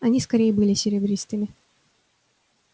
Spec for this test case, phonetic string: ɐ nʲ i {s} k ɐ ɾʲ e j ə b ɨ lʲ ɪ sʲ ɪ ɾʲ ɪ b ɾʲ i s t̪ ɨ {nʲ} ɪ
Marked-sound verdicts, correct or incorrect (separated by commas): correct, incorrect